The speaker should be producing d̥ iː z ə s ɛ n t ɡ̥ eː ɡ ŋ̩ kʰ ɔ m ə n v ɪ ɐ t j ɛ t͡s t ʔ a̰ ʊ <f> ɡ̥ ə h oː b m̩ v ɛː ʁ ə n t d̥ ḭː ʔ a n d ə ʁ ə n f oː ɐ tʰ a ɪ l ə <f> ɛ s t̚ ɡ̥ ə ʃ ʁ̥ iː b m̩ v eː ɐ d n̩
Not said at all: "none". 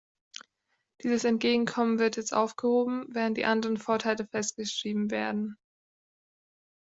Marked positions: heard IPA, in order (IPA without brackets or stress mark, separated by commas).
f, f